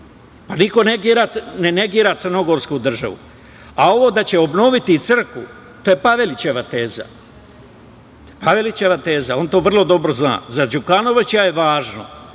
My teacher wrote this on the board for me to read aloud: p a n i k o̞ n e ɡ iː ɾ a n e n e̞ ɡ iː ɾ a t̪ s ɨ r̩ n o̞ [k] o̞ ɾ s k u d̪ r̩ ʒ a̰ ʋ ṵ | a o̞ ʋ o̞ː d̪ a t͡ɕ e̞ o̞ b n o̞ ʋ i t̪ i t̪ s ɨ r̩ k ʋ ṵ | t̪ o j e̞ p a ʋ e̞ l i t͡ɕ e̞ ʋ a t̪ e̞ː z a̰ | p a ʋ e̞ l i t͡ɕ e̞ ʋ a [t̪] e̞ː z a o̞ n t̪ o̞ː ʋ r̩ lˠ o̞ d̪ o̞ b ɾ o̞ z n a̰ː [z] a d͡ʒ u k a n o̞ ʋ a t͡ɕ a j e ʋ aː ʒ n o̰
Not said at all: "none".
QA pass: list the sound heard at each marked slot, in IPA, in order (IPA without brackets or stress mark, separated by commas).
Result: ɡ, t̪, z